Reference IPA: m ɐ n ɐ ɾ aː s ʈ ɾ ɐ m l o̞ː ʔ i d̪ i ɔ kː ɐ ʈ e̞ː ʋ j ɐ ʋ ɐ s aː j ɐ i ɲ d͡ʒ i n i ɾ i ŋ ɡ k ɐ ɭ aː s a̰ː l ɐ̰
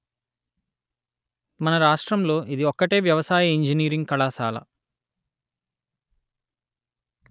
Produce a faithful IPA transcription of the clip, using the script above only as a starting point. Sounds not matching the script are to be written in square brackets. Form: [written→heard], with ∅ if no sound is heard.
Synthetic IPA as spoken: m ɐ n ɐ ɾ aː [s→ʂ] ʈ ɾ ɐ m l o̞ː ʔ i d̪ i ɔ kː ɐ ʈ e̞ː ʋ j ɐ ʋ ɐ s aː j ɐ i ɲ d͡ʒ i n [i→iː] ɾ i ŋ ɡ k ɐ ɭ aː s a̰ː l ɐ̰